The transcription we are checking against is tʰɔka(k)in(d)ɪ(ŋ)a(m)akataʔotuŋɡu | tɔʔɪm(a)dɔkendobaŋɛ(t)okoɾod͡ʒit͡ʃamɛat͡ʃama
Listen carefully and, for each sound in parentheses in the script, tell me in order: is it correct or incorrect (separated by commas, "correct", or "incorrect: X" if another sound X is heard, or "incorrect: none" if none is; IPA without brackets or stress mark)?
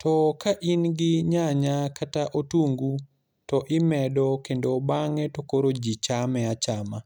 incorrect: ʔ, incorrect: ɡ, incorrect: ɲ, incorrect: ɲ, incorrect: ɛ, correct